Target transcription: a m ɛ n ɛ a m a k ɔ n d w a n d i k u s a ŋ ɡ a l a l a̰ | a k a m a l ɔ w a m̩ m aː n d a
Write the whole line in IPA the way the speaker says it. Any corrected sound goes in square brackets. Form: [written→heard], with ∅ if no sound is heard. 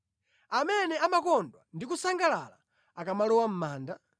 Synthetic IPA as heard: a m ɛ n ɛ a m a k ɔ n d w a n d i k u s a ŋ ɡ a l a l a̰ | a k a m a l ɔ w a m̩ m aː n d a